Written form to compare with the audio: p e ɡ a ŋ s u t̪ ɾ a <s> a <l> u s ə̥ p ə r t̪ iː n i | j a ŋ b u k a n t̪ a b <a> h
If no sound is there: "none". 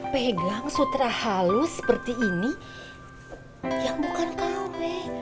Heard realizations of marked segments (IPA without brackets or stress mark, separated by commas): h, l, ɛ